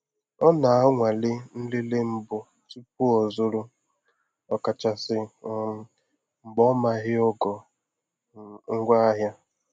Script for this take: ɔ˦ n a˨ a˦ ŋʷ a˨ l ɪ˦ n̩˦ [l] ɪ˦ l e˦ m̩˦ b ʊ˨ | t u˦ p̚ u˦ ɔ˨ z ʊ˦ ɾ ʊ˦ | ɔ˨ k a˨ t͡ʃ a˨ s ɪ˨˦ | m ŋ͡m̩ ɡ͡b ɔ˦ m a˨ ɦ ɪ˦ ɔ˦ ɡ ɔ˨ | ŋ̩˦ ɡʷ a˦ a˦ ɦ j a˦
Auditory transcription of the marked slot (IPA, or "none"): l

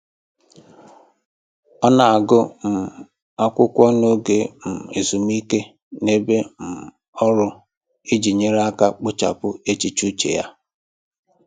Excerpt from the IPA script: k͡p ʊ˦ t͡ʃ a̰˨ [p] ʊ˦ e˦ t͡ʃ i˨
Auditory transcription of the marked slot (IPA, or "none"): p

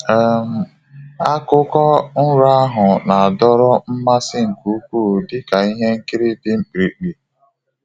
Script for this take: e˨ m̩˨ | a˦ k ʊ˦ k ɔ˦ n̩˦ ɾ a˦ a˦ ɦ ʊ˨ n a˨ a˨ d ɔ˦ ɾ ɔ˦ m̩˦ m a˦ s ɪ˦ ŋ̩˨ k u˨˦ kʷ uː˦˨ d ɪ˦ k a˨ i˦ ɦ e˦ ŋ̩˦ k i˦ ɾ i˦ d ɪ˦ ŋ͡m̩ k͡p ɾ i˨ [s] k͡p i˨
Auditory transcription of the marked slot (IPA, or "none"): none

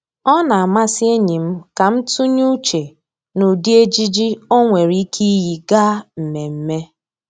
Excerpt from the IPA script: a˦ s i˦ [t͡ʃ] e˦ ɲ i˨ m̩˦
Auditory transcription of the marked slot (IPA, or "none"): none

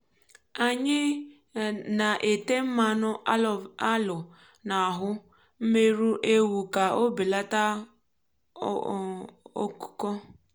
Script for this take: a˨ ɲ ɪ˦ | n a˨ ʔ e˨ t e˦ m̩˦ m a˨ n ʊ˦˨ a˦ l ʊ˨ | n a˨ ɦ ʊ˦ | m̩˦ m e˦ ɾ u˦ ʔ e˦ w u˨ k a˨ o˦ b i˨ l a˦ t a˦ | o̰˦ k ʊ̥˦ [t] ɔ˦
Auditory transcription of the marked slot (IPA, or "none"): k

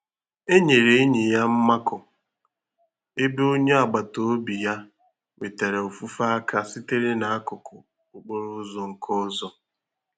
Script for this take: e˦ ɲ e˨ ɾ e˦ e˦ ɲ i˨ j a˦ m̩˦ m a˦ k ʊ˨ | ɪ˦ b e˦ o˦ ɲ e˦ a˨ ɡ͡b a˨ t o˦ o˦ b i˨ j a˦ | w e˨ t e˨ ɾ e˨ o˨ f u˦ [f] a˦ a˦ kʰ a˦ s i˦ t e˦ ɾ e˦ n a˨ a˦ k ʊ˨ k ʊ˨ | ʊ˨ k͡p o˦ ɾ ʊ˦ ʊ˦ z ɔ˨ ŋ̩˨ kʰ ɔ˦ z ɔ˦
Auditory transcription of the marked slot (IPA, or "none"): f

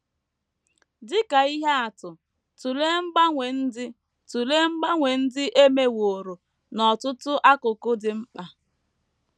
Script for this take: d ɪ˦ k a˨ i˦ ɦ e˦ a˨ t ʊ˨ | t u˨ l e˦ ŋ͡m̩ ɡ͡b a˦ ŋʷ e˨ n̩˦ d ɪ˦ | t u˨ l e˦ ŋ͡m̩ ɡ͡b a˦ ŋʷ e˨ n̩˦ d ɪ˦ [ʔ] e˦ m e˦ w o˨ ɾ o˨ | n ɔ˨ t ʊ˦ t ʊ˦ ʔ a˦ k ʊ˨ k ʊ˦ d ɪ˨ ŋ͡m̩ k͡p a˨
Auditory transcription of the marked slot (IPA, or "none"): ʔ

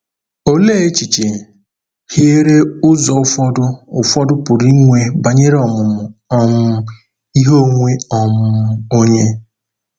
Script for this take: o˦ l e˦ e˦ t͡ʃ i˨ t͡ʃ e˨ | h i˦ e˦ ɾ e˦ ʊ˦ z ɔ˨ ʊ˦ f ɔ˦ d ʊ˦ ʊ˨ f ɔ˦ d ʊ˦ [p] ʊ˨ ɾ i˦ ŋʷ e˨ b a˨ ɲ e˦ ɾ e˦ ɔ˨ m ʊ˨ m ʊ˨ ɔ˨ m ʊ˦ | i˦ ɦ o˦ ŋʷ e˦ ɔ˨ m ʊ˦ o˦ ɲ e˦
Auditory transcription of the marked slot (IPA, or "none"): p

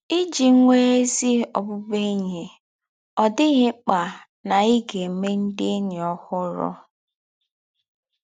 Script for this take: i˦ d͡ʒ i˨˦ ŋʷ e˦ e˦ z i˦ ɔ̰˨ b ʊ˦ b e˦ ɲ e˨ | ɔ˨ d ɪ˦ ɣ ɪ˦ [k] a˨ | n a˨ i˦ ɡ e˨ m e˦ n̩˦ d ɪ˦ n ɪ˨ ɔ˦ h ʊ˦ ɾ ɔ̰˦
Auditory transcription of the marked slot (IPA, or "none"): k͡p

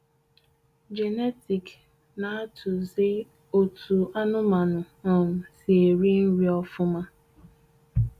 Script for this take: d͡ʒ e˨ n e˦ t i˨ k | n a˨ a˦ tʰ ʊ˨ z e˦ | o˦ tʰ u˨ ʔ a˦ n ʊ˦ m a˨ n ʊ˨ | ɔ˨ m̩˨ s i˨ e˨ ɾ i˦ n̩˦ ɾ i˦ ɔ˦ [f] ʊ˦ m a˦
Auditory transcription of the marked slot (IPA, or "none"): f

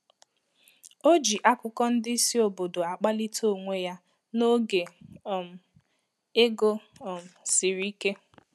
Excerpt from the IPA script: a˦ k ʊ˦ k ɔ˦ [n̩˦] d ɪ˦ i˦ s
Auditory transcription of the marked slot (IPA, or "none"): n̩˦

